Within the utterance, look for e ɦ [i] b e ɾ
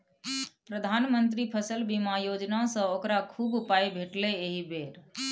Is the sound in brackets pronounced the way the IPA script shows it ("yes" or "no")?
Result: yes